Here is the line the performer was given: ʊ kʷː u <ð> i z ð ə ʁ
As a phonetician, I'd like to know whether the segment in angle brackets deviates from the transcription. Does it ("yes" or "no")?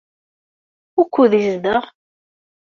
no